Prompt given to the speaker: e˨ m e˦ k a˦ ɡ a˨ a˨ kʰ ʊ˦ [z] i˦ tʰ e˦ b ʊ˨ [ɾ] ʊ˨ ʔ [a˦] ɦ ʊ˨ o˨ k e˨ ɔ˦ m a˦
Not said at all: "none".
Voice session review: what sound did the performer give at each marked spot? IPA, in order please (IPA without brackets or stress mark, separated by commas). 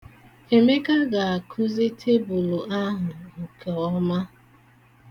z, l, a˦